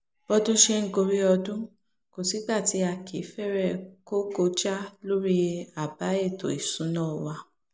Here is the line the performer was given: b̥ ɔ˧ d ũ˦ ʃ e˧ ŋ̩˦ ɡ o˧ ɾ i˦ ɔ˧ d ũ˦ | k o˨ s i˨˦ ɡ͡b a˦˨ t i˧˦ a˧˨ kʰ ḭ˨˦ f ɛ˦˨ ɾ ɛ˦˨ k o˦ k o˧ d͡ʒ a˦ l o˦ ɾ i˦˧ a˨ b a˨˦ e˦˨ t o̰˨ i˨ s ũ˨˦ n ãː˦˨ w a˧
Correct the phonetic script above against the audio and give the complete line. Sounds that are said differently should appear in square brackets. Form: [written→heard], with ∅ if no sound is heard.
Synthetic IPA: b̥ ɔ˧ d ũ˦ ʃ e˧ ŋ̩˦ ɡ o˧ ɾ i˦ ɔ˧ d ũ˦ | k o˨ s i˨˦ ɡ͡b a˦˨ t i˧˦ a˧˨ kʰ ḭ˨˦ f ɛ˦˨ ɾ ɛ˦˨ k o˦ k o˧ d͡ʒ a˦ l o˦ ɾ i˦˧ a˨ b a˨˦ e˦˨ t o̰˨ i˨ s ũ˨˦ n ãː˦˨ w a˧